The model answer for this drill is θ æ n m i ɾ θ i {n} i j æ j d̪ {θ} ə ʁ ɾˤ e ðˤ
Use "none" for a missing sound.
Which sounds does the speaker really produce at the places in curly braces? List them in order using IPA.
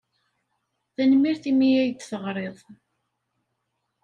m, θ

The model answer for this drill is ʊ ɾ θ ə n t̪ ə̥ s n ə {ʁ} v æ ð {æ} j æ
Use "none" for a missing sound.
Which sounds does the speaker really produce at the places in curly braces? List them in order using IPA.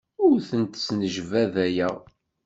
ʒ, æ

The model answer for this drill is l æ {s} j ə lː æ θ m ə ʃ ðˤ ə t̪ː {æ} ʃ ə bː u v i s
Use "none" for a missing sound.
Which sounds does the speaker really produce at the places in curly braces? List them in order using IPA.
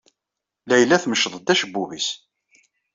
none, æ

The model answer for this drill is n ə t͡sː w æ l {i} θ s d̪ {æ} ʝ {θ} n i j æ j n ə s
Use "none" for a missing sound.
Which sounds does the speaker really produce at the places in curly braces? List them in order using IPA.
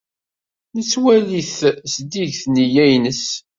i, i, θ

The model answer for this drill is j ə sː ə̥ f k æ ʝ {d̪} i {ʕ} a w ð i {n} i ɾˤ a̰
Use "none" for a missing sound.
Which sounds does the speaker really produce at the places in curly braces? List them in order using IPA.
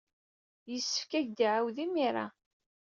d̪, ʕ, m

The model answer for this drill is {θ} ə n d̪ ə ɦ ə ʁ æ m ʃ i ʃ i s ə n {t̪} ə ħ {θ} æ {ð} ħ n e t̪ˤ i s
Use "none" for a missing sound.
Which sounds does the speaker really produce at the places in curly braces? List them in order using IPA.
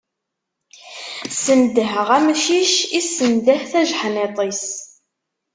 s, d̪, θ, ʒ

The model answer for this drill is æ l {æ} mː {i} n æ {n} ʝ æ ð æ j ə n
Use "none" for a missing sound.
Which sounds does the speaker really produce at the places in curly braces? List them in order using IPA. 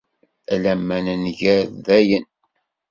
æ, æ, n

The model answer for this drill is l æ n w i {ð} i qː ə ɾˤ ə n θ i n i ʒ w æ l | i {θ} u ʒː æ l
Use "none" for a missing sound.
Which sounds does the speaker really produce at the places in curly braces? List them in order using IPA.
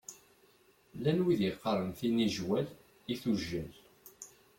ð, θ

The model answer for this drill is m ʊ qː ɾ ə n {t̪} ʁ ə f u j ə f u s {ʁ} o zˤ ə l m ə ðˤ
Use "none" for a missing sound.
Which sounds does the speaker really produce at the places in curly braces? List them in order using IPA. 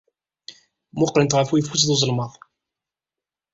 t̪, ð

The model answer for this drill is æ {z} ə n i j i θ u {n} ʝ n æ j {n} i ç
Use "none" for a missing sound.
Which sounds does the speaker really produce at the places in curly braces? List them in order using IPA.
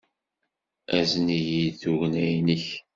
z, none, n

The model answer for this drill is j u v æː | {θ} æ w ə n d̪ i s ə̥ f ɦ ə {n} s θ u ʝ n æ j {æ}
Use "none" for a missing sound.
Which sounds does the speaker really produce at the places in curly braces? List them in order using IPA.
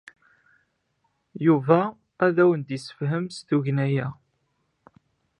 ð, m, æ

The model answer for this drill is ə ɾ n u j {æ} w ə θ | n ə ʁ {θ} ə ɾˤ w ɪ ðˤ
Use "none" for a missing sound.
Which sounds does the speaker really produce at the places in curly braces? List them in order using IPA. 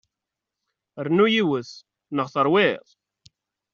i, θ

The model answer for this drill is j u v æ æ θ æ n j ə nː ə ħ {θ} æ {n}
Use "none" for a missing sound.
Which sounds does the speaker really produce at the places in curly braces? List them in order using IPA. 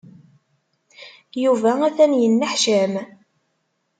ʃ, m

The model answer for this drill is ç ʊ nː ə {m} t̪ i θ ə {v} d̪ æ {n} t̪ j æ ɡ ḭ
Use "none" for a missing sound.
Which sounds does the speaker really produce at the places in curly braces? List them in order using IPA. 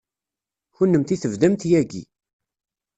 m, v, m

